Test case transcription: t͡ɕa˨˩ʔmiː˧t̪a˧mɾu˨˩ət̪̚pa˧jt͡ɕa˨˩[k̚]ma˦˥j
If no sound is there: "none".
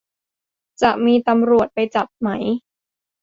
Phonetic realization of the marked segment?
p̚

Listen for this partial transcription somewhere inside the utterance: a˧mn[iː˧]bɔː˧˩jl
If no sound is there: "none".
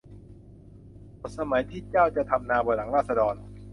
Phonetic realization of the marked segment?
aː˧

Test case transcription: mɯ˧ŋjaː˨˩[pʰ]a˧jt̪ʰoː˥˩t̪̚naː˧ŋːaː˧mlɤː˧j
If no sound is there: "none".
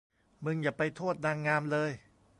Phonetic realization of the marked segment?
p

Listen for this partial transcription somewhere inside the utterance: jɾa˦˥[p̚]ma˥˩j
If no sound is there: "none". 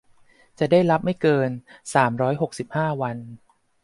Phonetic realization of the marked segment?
p̚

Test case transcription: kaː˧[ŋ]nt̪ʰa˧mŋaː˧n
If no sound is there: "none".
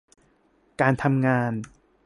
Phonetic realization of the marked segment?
none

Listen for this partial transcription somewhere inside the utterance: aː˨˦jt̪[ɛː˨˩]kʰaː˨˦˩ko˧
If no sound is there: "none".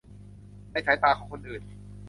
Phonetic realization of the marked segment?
aː˨˩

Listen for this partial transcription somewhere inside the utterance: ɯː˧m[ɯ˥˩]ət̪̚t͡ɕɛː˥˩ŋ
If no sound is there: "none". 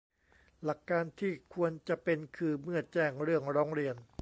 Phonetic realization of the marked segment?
ɯ˥˩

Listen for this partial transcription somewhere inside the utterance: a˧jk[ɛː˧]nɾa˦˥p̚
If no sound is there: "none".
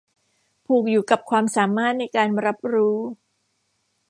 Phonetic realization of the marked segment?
aː˧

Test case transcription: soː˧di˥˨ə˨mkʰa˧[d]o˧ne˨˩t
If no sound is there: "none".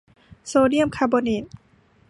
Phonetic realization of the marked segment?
b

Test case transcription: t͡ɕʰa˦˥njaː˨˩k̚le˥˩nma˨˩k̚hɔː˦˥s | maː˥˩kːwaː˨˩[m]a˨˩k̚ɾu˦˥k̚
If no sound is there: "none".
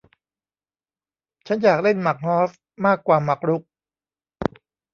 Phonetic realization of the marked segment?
m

